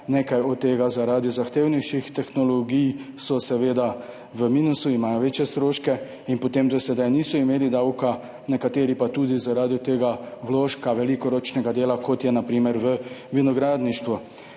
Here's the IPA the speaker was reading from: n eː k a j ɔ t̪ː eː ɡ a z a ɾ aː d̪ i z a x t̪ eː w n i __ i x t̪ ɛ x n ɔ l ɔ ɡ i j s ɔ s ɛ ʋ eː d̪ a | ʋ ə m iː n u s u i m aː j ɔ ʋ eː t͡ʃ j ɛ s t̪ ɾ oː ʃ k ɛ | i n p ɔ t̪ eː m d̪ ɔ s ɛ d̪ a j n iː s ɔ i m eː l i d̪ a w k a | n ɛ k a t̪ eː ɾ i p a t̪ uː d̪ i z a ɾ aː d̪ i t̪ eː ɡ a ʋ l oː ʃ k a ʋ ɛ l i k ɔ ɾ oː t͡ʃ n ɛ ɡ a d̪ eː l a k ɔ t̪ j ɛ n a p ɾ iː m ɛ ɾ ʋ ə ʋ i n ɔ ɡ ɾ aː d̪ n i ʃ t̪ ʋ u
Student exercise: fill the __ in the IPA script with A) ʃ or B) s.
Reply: A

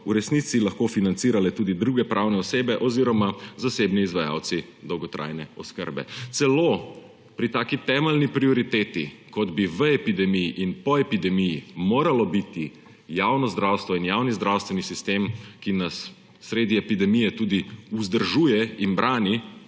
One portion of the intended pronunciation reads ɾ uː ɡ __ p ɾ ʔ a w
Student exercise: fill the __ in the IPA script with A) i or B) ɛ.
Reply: B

